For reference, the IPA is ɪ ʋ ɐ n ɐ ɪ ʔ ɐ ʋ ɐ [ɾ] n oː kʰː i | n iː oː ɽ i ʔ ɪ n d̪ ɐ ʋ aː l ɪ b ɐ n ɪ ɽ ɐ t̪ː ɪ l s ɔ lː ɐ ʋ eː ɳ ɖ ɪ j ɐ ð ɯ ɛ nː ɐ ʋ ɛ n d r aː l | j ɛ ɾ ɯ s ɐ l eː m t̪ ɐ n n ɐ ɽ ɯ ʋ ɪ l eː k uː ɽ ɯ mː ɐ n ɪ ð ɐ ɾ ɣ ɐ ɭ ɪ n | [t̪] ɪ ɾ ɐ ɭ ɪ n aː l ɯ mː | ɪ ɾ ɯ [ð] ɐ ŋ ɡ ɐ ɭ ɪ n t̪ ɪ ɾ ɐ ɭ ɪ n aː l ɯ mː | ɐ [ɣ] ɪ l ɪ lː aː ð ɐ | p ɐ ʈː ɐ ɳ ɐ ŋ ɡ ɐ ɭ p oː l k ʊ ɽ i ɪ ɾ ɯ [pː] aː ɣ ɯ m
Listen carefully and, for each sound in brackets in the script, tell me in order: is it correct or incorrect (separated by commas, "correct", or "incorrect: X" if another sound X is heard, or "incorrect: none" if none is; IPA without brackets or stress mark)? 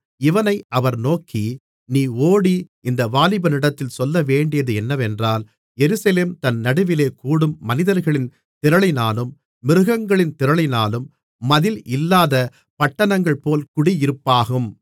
correct, correct, incorrect: ɣ, incorrect: ð, correct